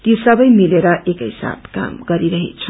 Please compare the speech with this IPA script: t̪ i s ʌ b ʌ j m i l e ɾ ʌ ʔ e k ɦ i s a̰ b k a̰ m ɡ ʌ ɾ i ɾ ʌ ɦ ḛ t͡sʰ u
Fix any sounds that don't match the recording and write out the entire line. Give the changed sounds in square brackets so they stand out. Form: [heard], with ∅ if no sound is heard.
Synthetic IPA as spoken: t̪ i s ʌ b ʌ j m i l e ɾ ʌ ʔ e k ɦ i s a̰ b k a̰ m ɡ ʌ ɾ i ɾ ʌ ɦ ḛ t͡sʰ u